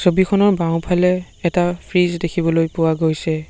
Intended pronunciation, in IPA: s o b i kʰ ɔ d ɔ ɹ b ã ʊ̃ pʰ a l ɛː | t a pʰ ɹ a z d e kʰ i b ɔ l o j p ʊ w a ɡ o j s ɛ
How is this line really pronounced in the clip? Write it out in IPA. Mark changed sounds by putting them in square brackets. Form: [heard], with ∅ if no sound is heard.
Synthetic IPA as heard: s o b i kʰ ɔ [n] ɔ ɹ b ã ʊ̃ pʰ a l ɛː | t a pʰ ɹ [i] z d e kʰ i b ɔ l o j p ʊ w a ɡ o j s ɛ